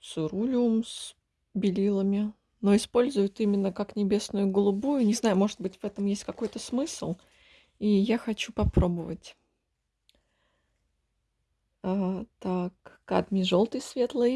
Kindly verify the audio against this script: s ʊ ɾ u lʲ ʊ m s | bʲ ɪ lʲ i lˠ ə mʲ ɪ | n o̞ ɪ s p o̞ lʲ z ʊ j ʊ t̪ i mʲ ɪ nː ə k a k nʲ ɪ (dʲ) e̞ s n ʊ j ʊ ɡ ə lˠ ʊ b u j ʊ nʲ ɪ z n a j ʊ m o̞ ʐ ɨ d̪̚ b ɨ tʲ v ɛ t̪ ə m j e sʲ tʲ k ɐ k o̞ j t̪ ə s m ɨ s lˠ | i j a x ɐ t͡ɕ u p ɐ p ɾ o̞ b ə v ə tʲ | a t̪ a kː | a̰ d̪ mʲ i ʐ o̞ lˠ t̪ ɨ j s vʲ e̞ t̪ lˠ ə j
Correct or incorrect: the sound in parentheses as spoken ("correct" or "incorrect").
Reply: incorrect